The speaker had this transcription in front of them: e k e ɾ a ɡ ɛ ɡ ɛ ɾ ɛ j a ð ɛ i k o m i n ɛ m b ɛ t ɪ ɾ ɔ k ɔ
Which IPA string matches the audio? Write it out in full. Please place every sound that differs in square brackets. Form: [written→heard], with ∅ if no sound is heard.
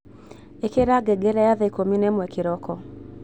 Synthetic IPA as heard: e k e ɾ a ɡ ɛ ɡ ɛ ɾ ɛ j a ð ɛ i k o m i n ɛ m [b→w] ɛ [t→k] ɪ ɾ ɔ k ɔ